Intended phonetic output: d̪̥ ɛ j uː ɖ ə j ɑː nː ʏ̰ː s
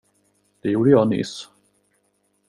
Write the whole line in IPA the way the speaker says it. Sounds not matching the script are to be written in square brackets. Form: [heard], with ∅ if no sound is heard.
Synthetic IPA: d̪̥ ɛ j uː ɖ ə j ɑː [n] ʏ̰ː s